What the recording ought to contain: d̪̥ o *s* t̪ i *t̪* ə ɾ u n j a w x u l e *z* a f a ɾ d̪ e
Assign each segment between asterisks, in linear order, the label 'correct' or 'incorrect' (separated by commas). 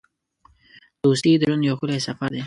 correct, incorrect, incorrect